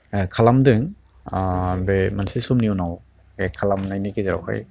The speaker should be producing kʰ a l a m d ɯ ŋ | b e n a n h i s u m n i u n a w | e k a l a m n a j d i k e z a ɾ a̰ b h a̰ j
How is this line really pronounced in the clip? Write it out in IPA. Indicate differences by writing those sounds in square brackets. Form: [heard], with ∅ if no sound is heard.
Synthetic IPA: kʰ a l a m d ɯ ŋ | b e [m] a n [s] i s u m n i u n a w | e [kʰ] a l a m n a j [n] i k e z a ɾ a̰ [w] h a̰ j